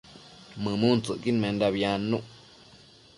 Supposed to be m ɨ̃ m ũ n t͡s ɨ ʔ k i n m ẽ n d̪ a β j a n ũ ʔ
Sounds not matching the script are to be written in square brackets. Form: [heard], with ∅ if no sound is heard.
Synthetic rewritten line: m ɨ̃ m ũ n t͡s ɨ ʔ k i n m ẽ n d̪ a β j a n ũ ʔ